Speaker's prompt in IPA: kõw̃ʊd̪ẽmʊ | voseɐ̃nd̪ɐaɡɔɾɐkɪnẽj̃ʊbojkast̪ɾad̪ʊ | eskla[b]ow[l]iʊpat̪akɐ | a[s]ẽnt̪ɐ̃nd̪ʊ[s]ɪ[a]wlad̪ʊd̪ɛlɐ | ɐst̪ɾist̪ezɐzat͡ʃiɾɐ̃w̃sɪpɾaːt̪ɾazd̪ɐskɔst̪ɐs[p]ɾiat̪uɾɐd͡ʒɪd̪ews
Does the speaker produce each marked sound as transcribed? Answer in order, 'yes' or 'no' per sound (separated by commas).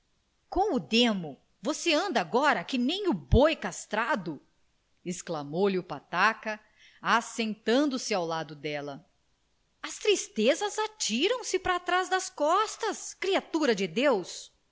no, yes, yes, yes, yes, no